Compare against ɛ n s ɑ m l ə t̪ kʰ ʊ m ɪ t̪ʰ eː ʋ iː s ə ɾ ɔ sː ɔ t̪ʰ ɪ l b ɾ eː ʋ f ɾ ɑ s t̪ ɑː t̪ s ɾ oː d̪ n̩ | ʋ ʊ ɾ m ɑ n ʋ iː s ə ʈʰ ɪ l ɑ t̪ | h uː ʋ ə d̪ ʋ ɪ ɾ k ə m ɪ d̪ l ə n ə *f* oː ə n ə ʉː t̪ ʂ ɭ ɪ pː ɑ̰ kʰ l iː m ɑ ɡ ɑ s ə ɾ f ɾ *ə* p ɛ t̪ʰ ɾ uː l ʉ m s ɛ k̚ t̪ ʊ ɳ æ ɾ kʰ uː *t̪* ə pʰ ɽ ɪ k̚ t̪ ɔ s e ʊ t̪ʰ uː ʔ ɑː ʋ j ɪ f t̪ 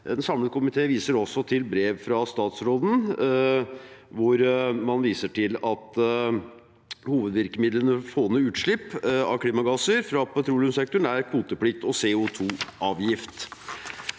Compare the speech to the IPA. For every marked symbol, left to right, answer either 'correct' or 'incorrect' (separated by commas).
correct, incorrect, correct